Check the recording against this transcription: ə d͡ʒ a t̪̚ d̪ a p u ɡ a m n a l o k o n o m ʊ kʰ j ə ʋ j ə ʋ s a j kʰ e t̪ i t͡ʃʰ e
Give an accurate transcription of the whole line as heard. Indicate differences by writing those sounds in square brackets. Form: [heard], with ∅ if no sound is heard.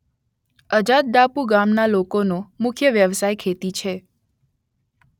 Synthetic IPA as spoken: ə d͡ʒ a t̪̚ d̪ a p u ɡ a m n a l o k o n o m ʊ kʰ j ə ʋ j ə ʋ s a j kʰ e t̪ i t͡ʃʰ e